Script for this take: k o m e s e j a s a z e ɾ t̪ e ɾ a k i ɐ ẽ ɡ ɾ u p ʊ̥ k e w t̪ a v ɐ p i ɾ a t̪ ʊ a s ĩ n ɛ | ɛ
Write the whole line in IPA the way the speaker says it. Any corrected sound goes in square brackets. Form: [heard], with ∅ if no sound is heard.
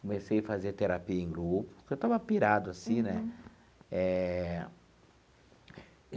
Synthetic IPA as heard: k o m e s e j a [f] a z e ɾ t̪ e ɾ a [p] i ɐ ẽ ɡ ɾ u p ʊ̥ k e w t̪ a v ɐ p i ɾ a [d̪] ʊ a s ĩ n ɛ | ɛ

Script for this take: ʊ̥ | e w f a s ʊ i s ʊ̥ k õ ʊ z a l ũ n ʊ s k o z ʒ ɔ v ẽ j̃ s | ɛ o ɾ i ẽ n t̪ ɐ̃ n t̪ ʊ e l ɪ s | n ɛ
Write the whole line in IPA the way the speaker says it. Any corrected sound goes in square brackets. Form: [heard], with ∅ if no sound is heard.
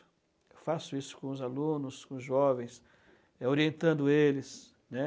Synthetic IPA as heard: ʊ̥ | e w f a s ʊ i s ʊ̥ k õ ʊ z a l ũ n ʊ s k [õ] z ʒ ɔ v ẽ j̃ s | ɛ o ɾ i ẽ n t̪ ɐ̃ n [d̪] ʊ e l ɪ s | n ɛ

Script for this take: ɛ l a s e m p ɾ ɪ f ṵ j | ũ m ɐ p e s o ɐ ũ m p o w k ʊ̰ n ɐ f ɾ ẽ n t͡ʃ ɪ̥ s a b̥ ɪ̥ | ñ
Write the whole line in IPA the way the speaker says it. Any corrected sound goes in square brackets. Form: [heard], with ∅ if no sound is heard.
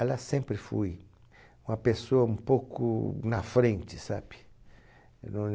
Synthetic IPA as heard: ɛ l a s [ẽ] m p ɾ ɪ f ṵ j | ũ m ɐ p e s o ɐ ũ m p o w k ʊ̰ n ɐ f ɾ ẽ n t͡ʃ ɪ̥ s a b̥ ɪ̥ | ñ

